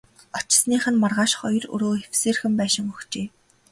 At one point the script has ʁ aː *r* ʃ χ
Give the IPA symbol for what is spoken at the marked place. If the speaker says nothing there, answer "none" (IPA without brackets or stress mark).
none